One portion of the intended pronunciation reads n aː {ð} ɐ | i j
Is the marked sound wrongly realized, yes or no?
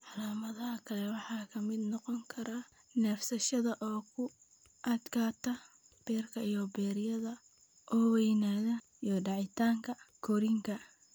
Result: no